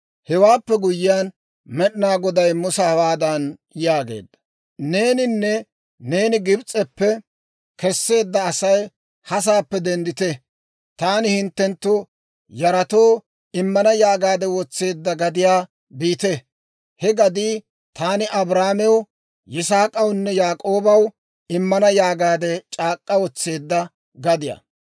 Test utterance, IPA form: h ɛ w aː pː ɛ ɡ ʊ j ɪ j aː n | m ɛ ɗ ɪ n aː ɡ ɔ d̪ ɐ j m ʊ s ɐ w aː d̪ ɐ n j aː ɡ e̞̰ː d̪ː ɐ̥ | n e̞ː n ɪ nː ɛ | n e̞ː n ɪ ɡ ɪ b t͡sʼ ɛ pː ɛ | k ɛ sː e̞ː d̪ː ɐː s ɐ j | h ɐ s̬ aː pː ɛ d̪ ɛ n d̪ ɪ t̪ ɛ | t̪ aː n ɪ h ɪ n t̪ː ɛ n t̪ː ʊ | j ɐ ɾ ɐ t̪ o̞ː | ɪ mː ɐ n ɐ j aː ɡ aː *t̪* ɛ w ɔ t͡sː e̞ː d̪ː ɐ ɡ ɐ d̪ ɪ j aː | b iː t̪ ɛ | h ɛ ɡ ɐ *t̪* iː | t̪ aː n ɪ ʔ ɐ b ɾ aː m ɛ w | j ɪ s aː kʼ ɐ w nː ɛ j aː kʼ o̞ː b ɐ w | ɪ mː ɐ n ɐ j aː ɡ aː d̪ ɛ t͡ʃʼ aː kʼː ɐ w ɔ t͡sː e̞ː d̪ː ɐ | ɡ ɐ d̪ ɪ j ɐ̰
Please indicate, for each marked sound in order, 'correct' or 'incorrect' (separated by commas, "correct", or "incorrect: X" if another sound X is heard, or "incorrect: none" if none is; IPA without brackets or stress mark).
incorrect: d̪, incorrect: d̪